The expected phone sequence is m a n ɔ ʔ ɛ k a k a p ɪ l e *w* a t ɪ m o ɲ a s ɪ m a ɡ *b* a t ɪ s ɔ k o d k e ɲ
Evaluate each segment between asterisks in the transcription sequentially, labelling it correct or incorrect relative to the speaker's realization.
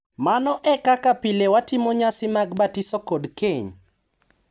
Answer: correct, correct

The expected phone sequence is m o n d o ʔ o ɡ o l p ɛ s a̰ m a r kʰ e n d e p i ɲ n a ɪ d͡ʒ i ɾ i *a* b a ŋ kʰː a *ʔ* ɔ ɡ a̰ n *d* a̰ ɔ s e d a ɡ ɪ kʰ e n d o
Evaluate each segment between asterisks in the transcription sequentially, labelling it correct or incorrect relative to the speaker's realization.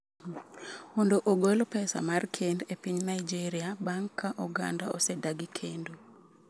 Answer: correct, correct, correct

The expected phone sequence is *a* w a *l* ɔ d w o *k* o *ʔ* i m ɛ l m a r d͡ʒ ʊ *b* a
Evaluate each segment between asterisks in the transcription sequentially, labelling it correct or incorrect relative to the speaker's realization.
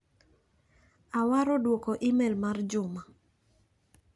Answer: correct, incorrect: ɾ, correct, correct, incorrect: m

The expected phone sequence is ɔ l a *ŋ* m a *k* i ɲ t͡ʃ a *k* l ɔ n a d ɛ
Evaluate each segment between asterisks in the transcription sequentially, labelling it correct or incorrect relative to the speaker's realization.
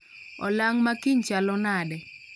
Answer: correct, correct, incorrect: none

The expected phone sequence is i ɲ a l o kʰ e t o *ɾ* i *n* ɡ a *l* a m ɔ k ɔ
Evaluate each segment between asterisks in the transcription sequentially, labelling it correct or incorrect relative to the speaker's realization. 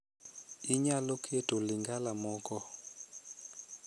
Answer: incorrect: l, incorrect: ŋ, correct

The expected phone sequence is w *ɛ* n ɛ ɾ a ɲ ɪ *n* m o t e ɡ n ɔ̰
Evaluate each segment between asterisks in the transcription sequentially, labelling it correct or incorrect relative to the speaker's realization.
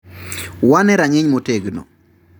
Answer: incorrect: a, incorrect: ɲ

